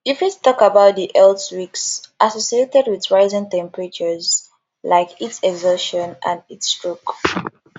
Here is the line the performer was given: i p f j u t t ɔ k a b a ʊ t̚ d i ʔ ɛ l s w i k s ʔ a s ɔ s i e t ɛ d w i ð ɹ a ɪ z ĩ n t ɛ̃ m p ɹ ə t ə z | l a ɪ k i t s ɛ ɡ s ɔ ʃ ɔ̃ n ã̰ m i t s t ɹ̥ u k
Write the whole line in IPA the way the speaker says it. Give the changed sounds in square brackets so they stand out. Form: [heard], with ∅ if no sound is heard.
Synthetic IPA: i [∅] f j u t t ɔ k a b a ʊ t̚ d i ʔ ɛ l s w i k s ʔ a s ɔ s i e t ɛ d w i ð ɹ a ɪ z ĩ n t ɛ̃ m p ɹ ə [t͡ʃ] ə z | l a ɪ k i t s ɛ ɡ [z] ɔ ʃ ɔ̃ n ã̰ [n] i t s t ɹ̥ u k